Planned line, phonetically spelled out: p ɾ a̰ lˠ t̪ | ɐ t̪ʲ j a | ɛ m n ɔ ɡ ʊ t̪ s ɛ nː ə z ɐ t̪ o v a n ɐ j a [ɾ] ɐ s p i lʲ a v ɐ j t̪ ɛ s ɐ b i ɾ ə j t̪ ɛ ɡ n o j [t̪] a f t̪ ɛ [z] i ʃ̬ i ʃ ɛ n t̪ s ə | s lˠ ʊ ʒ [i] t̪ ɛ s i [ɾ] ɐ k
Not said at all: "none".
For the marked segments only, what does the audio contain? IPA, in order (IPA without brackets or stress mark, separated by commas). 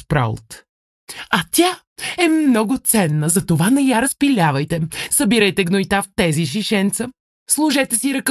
ɾ, t̪, z, ɛ, ɾ